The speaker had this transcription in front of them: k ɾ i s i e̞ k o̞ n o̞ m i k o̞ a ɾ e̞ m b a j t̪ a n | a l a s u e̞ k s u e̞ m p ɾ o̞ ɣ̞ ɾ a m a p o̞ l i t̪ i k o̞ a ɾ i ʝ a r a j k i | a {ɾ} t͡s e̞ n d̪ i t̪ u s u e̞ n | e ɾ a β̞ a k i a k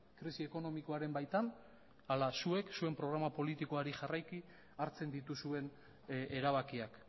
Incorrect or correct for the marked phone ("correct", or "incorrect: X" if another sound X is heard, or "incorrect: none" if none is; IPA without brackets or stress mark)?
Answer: correct